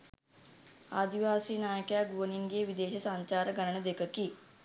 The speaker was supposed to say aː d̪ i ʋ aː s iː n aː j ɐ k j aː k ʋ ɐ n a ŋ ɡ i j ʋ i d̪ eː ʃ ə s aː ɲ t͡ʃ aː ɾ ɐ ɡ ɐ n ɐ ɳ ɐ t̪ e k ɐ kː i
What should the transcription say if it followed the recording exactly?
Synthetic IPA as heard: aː d̪ i ʋ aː s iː n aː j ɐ k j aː ɡ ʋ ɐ n i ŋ ɡ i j ʋ i d̪ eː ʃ ɐ s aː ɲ t͡ʃ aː ɾ ɐ ɡ ɐ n ɐ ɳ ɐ d̪ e k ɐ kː i